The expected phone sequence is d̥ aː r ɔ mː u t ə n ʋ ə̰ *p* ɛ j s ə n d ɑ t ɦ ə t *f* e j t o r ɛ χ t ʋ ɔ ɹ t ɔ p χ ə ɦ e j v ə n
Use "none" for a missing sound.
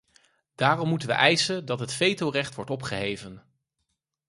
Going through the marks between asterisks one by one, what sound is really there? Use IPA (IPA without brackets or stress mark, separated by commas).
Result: ʔ, f